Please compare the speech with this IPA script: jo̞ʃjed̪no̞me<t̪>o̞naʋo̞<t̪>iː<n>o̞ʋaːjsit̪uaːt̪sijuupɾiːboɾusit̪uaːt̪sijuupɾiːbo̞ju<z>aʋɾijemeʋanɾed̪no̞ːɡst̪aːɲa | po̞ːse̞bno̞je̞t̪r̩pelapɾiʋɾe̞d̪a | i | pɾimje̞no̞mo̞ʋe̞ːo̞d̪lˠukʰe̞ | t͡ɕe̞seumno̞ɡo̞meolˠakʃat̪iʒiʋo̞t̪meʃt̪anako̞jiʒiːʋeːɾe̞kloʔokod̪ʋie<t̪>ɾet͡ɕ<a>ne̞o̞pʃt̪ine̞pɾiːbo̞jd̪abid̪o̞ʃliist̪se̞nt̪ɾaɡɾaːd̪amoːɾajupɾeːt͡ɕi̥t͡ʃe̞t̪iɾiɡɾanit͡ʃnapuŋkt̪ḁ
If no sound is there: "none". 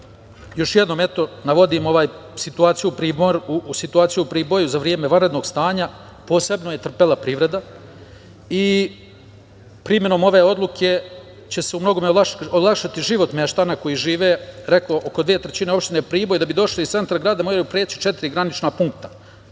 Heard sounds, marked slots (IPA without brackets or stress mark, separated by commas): t̪, d̪, m, z, t̪, i